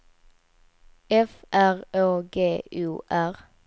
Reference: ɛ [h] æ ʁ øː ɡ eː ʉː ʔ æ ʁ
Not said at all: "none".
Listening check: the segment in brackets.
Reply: f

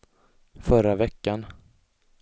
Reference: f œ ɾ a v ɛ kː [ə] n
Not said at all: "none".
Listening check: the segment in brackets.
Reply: a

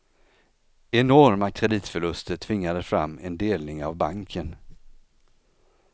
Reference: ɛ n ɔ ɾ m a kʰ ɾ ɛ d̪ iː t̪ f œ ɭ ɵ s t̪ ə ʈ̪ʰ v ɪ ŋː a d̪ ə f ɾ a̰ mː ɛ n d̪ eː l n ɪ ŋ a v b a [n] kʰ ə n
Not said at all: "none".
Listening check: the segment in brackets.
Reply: ŋ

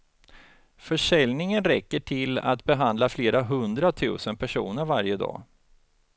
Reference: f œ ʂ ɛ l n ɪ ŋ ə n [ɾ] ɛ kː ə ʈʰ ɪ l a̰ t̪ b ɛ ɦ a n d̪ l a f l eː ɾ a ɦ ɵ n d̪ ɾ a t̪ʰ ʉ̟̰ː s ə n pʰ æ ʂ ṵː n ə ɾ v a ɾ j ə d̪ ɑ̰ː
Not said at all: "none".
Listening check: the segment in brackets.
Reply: ɾ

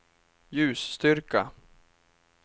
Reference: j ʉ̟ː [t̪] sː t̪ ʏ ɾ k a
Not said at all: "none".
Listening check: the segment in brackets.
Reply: none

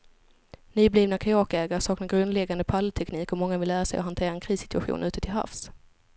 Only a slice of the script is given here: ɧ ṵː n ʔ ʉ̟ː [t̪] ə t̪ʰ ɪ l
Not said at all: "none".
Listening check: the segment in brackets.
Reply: t̪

